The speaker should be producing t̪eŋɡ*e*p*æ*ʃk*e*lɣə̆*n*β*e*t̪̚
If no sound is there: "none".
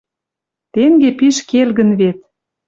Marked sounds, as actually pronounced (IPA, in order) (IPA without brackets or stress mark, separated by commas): e, i, e, n, e